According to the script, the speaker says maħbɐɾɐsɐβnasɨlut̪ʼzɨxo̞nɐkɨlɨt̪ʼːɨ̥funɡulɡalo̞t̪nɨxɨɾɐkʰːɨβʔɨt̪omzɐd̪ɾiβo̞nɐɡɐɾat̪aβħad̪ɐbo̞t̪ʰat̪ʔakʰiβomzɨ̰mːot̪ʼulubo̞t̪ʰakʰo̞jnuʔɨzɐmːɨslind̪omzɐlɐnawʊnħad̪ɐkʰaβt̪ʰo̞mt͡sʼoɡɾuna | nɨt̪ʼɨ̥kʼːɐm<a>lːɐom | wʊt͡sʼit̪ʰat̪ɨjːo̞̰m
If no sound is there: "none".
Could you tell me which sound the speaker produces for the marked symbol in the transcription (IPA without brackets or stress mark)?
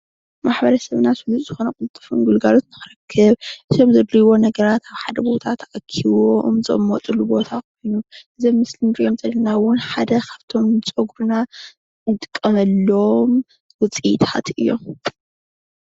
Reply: ɐ